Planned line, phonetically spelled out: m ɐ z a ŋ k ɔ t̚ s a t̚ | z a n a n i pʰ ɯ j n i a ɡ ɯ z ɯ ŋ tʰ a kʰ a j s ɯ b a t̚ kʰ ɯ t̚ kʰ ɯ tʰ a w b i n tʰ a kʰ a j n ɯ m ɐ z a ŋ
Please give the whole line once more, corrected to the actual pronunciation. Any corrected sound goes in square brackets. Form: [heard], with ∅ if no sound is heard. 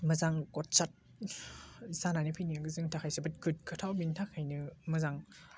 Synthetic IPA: m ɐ z a ŋ k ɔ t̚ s a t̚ | z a n a n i pʰ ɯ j n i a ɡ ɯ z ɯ ŋ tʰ a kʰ a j s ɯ b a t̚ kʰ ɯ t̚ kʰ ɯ tʰ a w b i n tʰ a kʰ a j n ɯ m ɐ z a ŋ